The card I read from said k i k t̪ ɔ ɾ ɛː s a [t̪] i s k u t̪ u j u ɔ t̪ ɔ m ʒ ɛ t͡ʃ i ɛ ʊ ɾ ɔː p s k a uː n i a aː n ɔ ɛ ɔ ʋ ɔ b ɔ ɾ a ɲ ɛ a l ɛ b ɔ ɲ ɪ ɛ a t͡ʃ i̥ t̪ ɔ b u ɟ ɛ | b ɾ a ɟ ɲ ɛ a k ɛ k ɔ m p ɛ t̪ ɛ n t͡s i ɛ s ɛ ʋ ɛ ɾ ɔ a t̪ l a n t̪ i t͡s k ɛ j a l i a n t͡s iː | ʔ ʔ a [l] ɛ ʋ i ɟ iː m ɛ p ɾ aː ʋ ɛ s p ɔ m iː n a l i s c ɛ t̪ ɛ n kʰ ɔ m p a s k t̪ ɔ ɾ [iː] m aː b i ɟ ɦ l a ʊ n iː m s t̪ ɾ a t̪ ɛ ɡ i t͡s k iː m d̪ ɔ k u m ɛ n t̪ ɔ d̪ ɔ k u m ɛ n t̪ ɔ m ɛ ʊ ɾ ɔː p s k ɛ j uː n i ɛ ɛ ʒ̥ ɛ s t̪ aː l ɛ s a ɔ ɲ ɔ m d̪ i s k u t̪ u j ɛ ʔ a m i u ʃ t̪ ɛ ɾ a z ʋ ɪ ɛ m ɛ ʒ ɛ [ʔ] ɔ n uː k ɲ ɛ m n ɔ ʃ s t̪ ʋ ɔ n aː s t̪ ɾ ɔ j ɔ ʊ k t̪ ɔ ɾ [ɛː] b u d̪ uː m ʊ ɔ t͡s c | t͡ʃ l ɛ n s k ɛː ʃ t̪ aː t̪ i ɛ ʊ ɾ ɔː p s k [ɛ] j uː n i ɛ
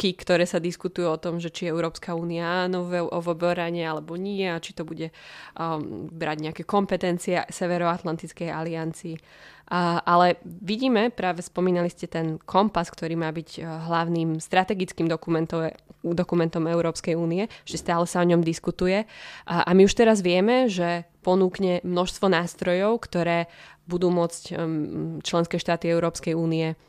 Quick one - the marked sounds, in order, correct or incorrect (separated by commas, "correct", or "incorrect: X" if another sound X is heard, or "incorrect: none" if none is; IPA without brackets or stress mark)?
incorrect: d̪, correct, correct, incorrect: p, correct, correct